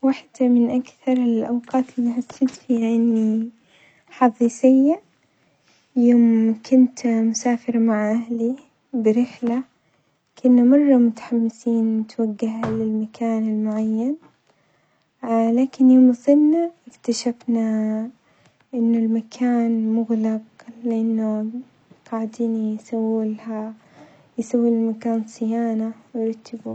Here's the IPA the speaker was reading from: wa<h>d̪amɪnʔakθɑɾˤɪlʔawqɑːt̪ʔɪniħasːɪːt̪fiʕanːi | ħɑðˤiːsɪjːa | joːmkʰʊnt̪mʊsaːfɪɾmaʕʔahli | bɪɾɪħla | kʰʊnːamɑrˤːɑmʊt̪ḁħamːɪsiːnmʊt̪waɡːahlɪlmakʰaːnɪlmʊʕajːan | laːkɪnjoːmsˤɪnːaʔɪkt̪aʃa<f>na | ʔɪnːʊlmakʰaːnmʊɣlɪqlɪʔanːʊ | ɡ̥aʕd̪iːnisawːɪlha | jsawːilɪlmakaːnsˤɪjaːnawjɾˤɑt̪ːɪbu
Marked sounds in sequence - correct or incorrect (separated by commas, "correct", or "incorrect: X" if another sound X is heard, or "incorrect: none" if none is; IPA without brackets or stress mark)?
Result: incorrect: ħ, correct